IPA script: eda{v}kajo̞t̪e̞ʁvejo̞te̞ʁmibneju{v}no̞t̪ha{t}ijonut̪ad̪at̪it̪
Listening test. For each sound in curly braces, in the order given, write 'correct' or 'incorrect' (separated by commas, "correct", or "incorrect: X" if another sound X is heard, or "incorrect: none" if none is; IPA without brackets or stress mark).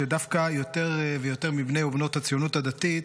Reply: incorrect: f, incorrect: b, incorrect: t͡s